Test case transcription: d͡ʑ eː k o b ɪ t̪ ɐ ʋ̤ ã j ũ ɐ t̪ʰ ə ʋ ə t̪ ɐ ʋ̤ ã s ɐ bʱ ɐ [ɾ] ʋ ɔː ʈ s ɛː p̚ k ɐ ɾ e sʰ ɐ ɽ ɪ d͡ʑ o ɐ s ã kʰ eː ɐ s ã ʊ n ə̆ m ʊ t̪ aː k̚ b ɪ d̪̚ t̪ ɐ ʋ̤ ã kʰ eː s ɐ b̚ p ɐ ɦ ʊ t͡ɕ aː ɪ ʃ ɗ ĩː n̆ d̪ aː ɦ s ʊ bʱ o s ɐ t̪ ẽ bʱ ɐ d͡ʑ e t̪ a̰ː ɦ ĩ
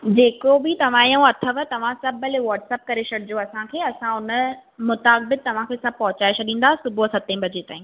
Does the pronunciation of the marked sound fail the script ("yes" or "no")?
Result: yes